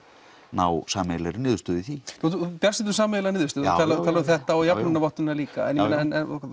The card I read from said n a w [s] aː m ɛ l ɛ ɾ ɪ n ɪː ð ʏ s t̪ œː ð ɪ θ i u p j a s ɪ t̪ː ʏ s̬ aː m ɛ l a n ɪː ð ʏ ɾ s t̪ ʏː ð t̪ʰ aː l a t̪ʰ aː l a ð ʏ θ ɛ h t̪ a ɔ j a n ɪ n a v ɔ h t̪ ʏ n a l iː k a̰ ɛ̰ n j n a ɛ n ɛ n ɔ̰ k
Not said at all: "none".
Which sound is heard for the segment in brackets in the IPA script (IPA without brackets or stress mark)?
s